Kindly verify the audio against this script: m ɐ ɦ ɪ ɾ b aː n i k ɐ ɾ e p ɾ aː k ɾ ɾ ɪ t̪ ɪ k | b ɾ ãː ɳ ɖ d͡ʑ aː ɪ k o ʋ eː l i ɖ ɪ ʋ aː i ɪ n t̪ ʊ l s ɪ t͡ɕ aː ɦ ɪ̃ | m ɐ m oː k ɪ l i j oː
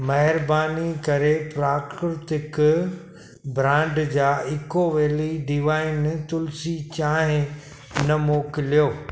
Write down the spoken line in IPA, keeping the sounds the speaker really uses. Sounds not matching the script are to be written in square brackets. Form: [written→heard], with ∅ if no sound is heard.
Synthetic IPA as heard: m ɐ ɦ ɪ ɾ b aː n i k ɐ ɾ e p ɾ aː k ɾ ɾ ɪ t̪ ɪ k | b ɾ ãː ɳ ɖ d͡ʑ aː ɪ k o ʋ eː l i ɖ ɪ ʋ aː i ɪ n t̪ ʊ l s [ɪ→i] t͡ɕ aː ɦ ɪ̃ | [m→n] ɐ m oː k ɪ l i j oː

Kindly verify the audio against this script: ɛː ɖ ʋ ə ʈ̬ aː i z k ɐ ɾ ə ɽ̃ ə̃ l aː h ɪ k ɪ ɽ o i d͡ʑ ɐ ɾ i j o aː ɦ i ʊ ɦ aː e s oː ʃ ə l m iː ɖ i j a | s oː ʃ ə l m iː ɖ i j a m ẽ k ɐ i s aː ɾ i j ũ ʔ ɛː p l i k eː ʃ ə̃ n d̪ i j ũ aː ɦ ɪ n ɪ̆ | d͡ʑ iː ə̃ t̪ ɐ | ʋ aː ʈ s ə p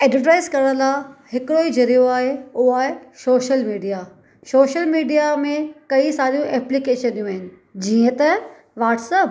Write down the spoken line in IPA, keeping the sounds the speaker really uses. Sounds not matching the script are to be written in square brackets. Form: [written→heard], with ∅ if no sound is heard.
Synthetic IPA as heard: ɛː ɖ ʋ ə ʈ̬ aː [i→ɪ] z k ɐ ɾ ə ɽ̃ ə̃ l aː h ɪ k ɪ ɽ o i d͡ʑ ɐ ɾ i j o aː ɦ [i→e] ʊ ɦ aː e s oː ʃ ə l m iː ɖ i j a | s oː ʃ ə l m iː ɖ i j a m ẽ k ɐ i s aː ɾ i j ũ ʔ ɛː p l i k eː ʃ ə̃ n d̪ i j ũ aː ɦ ɪ n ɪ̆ | d͡ʑ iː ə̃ t̪ ɐ | ʋ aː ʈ s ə p

